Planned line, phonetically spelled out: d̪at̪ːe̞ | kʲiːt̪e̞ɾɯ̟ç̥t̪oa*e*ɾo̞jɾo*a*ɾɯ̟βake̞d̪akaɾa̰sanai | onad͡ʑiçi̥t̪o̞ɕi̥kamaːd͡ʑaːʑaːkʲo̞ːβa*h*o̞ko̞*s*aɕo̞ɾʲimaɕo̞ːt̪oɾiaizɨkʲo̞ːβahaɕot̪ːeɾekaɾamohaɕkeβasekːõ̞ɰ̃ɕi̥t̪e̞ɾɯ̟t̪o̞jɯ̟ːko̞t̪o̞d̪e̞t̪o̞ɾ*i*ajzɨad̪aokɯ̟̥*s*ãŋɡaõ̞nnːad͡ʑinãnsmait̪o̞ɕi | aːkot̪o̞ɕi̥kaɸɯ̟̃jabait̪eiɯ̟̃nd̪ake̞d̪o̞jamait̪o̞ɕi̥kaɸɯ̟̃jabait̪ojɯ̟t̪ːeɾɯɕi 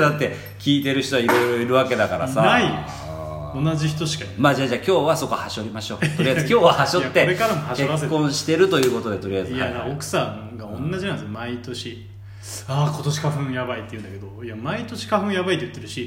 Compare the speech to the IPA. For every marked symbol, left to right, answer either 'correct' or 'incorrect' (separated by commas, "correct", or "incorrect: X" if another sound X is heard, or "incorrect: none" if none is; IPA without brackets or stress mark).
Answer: incorrect: i, incorrect: i, incorrect: s, incorrect: h, correct, correct